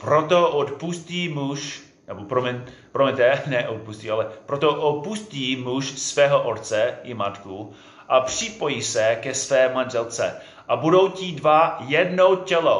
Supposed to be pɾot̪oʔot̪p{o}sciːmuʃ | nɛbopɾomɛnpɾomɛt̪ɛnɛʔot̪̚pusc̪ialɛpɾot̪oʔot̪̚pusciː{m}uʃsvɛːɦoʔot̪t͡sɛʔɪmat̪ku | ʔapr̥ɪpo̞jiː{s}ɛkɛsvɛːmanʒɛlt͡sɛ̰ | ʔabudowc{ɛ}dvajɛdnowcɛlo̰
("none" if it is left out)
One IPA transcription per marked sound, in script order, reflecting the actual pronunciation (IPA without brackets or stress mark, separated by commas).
u, m, s, i